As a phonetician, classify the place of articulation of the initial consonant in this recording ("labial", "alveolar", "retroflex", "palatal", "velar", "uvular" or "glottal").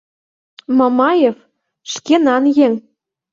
labial